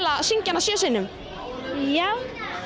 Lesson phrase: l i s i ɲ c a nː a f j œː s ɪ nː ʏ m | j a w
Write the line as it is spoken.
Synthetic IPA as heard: l a s i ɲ c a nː a s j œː s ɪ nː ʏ m | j a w